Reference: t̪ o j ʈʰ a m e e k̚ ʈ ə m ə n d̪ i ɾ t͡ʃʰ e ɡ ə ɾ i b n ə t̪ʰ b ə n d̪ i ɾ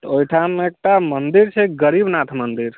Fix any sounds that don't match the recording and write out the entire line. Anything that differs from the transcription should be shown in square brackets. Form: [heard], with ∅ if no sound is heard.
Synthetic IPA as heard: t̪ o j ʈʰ a m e e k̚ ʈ [a] m ə n d̪ i ɾ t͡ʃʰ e ɡ ə ɾ i b n [a] t̪ʰ [m] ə n d̪ i ɾ